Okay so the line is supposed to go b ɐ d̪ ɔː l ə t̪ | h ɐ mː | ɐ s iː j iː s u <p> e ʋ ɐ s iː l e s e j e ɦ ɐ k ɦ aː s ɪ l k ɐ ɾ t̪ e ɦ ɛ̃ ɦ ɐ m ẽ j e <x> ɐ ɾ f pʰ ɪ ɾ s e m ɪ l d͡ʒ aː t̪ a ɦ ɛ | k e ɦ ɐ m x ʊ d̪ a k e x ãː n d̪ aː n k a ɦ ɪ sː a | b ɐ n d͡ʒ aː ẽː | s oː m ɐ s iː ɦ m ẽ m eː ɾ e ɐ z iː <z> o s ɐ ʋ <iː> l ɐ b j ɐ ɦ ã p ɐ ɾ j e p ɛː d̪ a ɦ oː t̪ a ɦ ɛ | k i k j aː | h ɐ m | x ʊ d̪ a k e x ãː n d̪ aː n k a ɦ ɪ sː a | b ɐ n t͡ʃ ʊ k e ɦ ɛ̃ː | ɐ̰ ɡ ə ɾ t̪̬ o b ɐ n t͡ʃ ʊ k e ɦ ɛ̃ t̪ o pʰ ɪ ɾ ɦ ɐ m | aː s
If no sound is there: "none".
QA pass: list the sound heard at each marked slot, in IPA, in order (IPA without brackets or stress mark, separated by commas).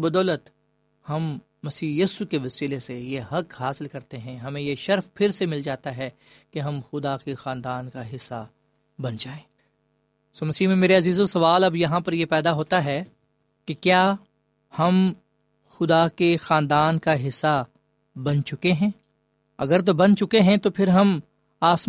k, ʃ, z, aː